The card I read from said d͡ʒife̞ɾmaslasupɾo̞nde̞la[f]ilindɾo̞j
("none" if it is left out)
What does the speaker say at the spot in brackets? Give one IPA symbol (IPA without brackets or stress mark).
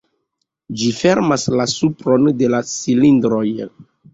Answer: s